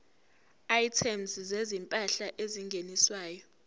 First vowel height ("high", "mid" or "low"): low